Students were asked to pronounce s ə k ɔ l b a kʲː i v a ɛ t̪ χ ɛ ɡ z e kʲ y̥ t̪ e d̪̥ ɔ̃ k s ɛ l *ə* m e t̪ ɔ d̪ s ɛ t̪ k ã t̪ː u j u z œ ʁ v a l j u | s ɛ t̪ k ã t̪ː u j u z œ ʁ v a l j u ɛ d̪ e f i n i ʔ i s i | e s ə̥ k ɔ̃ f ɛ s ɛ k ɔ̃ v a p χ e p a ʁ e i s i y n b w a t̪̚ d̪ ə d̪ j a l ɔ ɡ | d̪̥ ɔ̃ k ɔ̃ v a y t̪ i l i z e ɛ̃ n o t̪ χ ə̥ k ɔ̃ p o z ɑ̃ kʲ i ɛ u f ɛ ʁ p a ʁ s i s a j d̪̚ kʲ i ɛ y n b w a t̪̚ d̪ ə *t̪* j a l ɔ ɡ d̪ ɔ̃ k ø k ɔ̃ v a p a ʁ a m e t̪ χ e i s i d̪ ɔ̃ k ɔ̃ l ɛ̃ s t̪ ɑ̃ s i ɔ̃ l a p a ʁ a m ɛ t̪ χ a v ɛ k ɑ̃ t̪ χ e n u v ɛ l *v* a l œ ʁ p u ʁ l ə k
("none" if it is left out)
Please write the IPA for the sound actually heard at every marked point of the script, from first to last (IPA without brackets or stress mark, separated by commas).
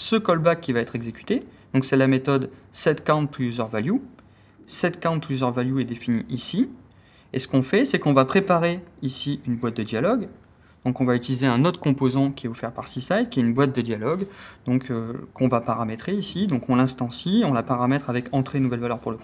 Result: a, d̪, v